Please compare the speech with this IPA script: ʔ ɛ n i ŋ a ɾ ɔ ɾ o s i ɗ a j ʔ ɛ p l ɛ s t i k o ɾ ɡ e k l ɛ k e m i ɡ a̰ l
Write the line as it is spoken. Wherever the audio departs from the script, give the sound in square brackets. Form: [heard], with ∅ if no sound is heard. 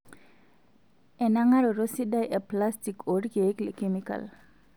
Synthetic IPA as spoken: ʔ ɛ n [a] ŋ a ɾ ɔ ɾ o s i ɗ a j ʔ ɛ p l [a] s t i k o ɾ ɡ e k l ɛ k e m i [k] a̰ l